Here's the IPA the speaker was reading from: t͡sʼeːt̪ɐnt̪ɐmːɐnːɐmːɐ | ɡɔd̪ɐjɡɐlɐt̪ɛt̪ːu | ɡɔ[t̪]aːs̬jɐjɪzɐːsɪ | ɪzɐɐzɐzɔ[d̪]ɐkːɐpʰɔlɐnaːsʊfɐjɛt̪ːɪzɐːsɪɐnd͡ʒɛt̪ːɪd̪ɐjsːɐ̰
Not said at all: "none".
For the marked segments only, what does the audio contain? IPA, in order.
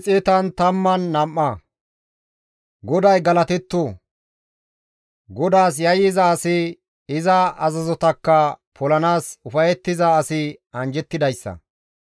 d̪, t̪

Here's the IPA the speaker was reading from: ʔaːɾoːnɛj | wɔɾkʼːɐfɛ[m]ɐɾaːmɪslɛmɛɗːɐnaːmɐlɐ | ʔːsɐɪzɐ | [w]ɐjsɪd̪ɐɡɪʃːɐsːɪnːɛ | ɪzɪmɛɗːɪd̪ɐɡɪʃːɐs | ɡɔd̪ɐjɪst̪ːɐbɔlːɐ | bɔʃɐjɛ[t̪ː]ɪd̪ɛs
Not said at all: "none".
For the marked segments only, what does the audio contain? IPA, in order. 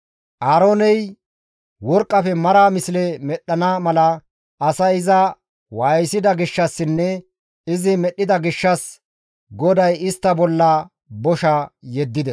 m, w, d̪ː

